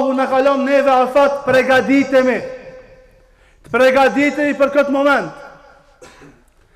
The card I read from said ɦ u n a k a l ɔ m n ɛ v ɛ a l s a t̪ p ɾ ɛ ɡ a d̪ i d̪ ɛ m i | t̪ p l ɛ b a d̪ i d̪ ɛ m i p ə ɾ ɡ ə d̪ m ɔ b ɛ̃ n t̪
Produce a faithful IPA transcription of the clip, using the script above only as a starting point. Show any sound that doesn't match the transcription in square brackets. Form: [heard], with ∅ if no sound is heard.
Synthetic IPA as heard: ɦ u n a k a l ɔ m n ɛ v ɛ a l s a t̪ p ɾ ɛ ɡ a d̪ i [t̪] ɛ m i | t̪ p [ɾ] ɛ [ɡ] a d̪ i [t̪] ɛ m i p ə ɾ [k] ə [t̪] m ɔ [m] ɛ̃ n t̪